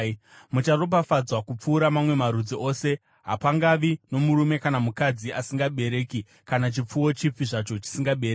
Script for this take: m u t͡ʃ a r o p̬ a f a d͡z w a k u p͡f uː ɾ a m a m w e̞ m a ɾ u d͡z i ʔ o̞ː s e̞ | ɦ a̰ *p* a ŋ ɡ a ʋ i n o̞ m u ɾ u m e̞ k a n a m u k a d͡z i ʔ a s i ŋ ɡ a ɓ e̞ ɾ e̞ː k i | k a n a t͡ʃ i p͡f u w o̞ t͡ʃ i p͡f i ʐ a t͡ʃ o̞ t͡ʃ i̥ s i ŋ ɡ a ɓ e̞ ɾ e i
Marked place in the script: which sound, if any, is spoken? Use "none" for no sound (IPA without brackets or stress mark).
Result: p